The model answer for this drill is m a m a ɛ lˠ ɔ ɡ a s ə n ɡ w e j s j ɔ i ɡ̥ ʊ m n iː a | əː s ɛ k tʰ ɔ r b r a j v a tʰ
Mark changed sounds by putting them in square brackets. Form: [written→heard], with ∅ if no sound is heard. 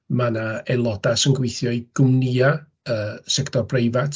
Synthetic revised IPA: m a [m→n] a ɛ lˠ ɔ [ɡ→d] a s ə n ɡ w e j [s→θ] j ɔ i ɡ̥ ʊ m n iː a | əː s ɛ k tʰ ɔ r b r [a→e] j v a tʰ

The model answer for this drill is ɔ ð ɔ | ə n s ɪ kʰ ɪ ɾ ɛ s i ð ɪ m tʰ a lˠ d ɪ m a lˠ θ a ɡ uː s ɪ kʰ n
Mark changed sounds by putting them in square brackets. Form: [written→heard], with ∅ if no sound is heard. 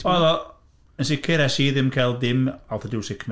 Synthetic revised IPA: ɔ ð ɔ | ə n s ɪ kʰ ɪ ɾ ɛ s i ð ɪ m [tʰ→kʰ] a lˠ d ɪ m a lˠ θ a [ɡ→d] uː s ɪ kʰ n

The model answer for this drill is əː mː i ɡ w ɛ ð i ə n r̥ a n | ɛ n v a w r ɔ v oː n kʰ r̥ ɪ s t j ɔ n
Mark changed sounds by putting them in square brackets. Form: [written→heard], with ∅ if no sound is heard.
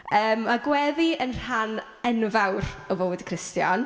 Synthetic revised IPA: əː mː [i→a] ɡ w ɛ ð i ə n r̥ a n | ɛ n v a w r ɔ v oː [n→d] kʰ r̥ ɪ s t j ɔ n

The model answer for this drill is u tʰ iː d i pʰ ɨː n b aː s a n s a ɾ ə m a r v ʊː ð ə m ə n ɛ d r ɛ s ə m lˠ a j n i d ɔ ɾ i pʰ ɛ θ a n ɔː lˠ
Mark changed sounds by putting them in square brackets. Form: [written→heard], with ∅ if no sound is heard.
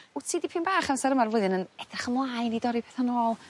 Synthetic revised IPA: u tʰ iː d i pʰ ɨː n b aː [s→χ] a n s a ɾ ə m a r v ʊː ð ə [m→n] ə n ɛ d r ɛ [s→χ] ə m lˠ a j n i d ɔ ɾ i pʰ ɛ θ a n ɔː lˠ

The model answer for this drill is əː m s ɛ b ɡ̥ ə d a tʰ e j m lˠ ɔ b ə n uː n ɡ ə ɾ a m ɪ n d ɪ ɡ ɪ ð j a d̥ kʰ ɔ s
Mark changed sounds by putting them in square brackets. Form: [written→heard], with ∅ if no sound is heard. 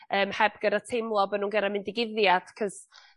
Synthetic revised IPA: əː m [s→h] ɛ b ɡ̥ ə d a tʰ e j m lˠ ɔ b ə n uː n ɡ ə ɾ a m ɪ n d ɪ ɡ ɪ ð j a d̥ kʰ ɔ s

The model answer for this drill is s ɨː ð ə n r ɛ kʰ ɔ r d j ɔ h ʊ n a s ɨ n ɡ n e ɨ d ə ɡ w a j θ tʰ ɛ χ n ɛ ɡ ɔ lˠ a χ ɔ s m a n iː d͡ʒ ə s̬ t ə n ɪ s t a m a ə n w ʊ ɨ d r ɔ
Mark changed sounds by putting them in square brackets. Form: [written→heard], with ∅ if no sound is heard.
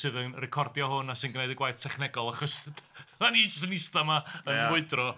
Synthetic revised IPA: s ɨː ð ə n r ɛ kʰ ɔ r d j ɔ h ʊ n a s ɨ n ɡ n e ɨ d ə ɡ w a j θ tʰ ɛ χ n ɛ ɡ ɔ lˠ a χ ɔ s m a n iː d͡ʒ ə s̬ t ə n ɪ s t a m a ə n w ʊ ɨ d r ɔ

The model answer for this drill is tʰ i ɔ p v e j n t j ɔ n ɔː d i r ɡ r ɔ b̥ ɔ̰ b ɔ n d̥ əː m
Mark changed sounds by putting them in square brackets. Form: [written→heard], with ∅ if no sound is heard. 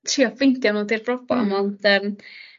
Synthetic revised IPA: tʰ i ɔ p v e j n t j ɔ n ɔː d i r [ɡ→b] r ɔ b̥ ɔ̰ [b→m] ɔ n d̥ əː m

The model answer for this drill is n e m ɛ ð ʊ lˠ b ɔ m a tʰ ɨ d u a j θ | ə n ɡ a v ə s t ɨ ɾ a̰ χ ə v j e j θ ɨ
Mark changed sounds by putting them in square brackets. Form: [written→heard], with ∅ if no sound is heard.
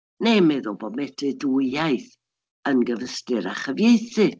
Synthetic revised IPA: n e m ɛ ð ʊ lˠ b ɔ m [a→ɛ] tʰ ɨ d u a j θ | ə n ɡ [a→ə] v ə s t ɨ ɾ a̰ χ ə v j e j θ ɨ

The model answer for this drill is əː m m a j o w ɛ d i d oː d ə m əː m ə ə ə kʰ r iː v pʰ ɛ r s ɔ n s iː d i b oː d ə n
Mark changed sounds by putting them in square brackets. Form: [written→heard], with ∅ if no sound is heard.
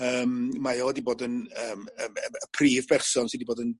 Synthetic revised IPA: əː m m a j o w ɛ d i [d→b] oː d ə [m→n] əː m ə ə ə [kʰ→pʰ] r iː v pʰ ɛ r s ɔ n s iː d i b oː d ə n

